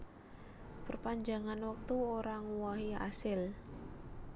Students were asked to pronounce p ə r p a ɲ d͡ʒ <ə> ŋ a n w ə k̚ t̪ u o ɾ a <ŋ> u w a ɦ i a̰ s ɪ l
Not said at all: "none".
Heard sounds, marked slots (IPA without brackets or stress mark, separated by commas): a, ŋ